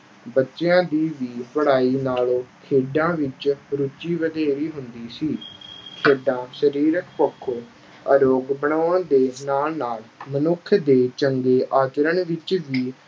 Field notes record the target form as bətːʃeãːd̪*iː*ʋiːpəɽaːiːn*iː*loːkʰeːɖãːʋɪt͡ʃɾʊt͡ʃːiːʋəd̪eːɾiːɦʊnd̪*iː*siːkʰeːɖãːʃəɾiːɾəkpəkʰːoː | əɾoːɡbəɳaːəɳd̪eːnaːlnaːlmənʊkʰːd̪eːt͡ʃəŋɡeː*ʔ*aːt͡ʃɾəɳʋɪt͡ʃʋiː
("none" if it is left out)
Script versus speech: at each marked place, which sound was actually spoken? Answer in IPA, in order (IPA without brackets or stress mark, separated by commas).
iː, aː, iː, ʔ